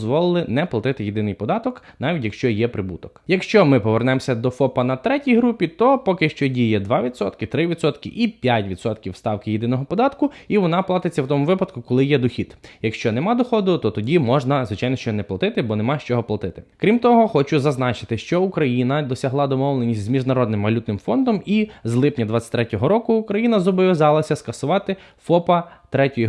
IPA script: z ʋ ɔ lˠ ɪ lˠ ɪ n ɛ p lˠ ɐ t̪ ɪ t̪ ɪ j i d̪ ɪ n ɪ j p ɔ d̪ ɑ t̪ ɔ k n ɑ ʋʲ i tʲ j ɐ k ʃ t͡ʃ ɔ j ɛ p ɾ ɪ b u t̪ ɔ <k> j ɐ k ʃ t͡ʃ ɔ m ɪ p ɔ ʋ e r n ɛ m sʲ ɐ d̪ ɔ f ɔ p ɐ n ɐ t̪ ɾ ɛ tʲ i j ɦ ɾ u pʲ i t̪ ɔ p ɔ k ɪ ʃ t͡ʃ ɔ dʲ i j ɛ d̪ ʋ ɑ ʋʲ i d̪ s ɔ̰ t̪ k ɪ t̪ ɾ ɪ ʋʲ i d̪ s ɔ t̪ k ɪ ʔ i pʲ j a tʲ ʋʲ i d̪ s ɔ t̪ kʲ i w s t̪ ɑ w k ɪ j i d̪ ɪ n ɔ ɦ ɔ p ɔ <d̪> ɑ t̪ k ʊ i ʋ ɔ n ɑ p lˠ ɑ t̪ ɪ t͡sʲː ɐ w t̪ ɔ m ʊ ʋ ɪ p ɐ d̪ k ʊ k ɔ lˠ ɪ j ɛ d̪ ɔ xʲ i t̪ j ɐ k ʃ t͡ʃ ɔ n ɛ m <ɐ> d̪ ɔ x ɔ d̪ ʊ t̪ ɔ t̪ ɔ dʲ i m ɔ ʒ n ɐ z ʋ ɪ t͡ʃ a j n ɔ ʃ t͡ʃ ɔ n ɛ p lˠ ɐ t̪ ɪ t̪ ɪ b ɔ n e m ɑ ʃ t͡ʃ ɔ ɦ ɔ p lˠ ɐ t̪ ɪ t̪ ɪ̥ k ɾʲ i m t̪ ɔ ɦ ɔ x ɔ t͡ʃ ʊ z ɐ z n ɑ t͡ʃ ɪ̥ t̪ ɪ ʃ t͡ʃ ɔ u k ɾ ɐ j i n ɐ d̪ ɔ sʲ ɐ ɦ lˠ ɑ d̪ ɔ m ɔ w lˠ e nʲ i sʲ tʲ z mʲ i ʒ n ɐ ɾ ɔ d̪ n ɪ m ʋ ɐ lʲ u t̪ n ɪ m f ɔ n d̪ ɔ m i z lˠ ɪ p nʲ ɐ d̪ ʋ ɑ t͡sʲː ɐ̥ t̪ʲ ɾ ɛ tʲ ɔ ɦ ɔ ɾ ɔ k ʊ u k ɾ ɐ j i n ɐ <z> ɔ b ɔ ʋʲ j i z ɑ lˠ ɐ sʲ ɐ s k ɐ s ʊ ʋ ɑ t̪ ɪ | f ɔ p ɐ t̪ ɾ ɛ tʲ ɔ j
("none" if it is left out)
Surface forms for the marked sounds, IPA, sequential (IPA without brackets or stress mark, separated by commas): k, d̪, ɑ, z